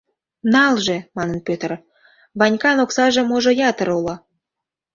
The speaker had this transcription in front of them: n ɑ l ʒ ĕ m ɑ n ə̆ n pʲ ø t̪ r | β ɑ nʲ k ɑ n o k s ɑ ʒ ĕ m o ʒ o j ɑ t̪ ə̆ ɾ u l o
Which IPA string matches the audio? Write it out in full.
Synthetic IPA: n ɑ l ʒ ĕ m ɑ n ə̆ n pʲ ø t̪ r | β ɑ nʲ k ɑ n o k s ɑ ʒ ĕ m o ʒ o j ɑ t̪ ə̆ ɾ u l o